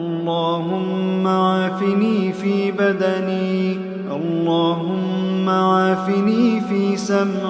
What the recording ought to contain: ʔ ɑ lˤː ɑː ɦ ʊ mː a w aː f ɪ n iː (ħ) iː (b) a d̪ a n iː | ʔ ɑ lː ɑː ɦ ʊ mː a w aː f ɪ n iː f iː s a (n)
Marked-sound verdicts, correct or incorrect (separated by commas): incorrect, correct, incorrect